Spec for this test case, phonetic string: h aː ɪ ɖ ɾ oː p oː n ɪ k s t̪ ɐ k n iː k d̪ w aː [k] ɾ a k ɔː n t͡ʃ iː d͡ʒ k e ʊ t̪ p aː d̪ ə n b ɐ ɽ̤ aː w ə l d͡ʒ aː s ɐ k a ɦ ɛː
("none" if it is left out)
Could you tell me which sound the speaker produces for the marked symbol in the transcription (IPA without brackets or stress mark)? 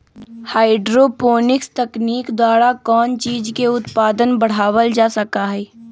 none